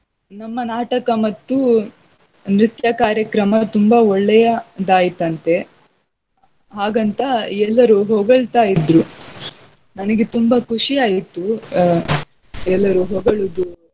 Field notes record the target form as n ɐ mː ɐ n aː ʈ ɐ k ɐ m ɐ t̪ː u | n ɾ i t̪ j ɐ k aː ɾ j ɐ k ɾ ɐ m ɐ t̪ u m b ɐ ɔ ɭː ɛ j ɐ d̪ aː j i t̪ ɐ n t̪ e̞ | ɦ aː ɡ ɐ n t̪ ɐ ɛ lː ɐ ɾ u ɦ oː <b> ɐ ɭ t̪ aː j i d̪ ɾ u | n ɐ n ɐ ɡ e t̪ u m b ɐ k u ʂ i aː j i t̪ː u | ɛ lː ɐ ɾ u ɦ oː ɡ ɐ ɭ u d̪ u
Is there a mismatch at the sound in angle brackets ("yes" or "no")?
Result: yes